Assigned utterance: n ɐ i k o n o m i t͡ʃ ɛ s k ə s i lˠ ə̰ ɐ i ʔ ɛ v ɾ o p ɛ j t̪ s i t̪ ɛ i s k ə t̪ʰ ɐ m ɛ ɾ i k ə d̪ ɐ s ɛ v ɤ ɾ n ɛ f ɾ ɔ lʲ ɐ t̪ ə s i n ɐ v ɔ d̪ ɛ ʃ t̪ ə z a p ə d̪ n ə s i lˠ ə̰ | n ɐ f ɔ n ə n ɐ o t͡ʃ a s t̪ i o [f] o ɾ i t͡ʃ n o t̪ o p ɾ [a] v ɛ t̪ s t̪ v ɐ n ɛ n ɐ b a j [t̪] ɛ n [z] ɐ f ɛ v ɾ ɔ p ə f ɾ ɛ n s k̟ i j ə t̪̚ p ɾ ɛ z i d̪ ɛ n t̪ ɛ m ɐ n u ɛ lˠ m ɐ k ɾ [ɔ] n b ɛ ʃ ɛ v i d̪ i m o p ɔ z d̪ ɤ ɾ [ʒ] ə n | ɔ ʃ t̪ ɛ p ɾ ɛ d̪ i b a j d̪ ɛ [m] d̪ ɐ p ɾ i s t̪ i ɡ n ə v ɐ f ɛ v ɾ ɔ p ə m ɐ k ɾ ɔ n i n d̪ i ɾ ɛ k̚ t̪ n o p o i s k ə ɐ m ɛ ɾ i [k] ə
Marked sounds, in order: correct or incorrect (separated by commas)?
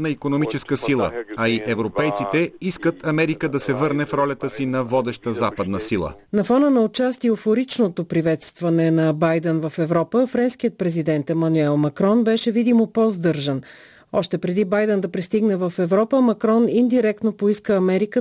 correct, incorrect, incorrect, incorrect, correct, correct, incorrect, correct